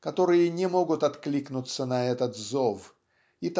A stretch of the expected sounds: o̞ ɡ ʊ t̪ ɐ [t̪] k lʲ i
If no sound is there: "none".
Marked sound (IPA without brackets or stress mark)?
t̪